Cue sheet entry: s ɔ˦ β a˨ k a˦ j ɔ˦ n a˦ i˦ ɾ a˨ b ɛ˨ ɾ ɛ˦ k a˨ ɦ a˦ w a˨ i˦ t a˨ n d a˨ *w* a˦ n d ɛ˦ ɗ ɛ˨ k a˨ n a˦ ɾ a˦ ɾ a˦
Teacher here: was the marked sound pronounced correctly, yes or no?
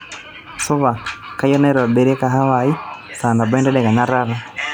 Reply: no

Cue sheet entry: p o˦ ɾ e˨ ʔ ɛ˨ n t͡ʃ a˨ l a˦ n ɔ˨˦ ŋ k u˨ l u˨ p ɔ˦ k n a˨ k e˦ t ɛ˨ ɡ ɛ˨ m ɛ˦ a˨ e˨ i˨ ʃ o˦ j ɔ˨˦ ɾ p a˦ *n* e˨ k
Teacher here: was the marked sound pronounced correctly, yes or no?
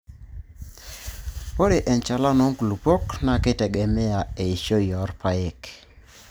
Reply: no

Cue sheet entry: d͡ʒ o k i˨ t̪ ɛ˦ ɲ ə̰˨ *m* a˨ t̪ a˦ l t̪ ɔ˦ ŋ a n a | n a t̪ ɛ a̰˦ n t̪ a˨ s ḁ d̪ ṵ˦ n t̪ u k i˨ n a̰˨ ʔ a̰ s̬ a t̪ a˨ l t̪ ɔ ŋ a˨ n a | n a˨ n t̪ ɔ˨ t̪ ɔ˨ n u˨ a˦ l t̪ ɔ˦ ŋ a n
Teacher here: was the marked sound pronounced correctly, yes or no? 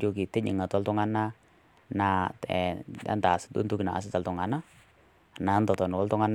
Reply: no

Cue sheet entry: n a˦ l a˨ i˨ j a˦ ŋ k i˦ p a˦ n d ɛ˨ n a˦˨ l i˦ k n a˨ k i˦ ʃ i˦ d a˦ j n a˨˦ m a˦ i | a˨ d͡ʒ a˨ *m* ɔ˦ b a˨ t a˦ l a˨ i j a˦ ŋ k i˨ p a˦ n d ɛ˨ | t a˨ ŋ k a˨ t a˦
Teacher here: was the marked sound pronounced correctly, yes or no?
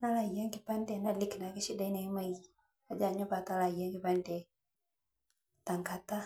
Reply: no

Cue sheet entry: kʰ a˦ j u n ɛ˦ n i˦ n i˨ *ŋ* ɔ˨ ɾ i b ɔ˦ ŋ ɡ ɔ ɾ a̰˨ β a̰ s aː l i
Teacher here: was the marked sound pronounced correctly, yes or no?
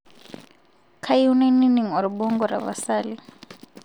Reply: yes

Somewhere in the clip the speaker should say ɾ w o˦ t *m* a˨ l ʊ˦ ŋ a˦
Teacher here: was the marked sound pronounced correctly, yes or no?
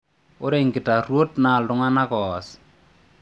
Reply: no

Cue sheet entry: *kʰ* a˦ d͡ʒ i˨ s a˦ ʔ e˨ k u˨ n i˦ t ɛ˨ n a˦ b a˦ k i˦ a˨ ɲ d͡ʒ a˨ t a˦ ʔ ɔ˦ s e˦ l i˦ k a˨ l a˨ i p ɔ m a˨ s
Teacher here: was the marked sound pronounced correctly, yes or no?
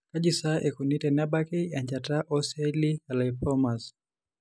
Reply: no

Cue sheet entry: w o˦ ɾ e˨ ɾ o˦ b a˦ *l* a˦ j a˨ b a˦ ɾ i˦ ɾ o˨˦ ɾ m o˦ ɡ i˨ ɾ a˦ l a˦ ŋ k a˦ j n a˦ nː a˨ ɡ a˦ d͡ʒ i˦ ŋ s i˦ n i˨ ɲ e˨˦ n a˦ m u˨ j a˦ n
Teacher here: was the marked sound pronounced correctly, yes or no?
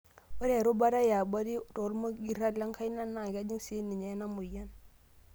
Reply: no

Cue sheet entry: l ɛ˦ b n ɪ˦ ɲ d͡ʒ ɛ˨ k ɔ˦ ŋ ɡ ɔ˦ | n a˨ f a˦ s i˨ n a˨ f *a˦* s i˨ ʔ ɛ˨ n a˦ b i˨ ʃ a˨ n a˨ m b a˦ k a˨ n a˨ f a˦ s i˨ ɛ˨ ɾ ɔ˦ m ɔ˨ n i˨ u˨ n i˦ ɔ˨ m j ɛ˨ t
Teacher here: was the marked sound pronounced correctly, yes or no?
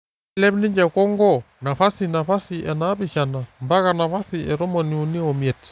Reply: yes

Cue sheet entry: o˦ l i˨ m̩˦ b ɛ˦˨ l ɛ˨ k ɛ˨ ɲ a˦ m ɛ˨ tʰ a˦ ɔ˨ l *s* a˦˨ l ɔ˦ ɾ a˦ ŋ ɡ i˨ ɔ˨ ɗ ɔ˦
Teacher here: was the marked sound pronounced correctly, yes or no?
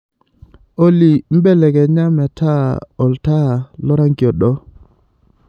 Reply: no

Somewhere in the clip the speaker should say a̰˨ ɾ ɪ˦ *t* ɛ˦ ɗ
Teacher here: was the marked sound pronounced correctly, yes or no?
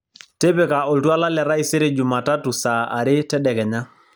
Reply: yes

